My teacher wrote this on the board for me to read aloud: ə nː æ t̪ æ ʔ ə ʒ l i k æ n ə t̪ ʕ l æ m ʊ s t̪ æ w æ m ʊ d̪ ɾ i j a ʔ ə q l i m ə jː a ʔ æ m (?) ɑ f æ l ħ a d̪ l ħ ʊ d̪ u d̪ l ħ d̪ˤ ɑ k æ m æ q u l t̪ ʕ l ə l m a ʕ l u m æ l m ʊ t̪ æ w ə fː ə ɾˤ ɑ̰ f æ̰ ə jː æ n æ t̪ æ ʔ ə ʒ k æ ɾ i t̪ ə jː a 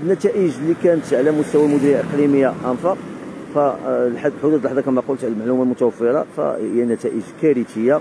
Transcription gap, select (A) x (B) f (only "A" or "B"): B